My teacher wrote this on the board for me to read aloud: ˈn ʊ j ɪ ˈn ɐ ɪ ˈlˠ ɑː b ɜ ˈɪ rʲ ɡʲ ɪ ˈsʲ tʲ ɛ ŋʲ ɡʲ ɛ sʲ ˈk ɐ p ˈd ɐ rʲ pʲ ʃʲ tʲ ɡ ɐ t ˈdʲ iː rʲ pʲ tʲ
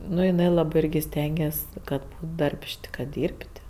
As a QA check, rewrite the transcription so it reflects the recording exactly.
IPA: ˈn ʊ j ɪ ˈn ɐ ɪ ˈlˠ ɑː b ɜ ˈɪ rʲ ɡʲ ɪ ˈsʲ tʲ ɛ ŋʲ ɡʲ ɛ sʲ ˈk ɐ t ˈd ɐ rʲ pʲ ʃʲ tʲ k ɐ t ˈdʲ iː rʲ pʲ tʲ